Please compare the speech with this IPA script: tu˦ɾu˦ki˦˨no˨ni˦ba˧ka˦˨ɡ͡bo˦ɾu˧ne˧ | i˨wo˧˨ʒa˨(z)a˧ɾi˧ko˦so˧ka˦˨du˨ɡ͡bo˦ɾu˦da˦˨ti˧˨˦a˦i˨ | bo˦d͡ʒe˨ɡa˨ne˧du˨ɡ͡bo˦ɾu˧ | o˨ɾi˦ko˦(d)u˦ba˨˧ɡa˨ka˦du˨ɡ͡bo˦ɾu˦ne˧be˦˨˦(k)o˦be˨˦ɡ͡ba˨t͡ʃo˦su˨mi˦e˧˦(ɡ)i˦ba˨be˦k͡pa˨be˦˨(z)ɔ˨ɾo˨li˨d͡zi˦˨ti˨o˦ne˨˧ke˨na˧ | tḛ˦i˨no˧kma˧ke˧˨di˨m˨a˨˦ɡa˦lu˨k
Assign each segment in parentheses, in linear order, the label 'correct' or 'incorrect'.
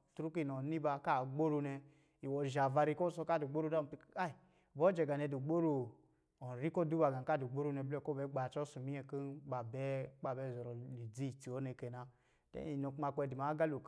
incorrect: v, correct, correct, incorrect: k, correct

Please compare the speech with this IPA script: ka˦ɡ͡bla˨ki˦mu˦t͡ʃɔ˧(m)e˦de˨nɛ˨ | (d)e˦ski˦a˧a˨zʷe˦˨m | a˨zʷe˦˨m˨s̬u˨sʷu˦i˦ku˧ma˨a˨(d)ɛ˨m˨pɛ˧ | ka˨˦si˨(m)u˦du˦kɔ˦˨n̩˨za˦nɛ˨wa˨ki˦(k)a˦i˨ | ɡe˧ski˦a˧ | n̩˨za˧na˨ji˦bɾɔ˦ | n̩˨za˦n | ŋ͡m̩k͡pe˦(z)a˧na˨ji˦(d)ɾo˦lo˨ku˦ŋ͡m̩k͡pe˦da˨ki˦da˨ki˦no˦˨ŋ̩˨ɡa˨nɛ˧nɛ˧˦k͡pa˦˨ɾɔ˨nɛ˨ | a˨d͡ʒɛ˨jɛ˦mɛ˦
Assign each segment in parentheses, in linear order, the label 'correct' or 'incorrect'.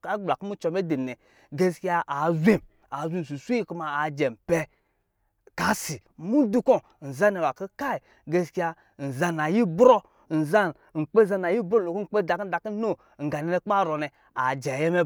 correct, incorrect: ɡ, incorrect: d͡ʒ, correct, correct, correct, incorrect: b

